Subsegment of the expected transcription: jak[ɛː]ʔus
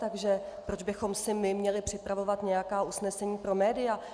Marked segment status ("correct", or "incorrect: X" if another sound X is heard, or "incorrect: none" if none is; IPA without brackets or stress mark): incorrect: aː